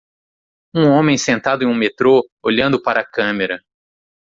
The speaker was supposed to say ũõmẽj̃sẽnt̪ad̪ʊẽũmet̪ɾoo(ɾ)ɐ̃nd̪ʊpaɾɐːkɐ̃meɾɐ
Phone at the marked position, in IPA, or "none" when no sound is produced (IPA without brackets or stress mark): ʎ